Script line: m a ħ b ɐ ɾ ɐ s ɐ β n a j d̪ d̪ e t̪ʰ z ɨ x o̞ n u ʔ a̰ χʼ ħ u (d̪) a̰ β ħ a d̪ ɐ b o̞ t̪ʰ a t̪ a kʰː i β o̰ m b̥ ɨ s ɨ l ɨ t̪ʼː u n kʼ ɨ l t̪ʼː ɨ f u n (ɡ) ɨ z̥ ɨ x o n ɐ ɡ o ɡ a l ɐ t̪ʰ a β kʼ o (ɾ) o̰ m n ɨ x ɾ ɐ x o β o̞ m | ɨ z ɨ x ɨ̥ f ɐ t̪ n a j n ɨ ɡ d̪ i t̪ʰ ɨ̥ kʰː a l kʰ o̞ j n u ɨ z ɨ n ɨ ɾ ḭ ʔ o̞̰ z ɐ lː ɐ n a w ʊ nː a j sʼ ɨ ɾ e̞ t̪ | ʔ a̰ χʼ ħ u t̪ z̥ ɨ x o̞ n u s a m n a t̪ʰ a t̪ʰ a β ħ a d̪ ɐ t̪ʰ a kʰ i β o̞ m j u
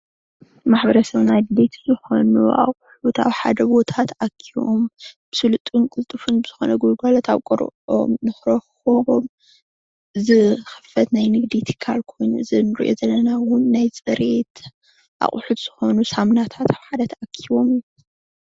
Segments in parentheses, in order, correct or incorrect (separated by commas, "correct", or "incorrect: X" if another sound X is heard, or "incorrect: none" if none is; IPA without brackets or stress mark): incorrect: t̪, incorrect: b, correct